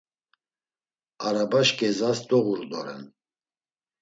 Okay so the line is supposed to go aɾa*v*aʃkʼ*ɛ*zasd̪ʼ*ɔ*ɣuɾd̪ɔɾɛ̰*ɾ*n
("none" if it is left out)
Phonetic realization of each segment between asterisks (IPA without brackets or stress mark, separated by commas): b, ɛ, ɔ, none